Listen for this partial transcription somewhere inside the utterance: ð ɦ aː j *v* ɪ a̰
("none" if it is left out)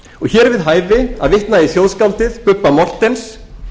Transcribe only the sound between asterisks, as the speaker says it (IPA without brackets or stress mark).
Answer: v